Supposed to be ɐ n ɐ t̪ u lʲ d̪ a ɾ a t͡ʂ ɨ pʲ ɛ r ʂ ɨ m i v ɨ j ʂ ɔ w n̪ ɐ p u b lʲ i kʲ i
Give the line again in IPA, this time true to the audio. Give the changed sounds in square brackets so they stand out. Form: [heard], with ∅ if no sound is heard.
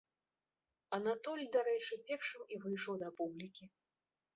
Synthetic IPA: ɐ n [a] t̪ [ɔ] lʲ d̪ a ɾ [ɛ] t͡ʂ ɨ pʲ ɛ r ʂ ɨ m i v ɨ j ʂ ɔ w [d̪] ɐ p u b lʲ i kʲ i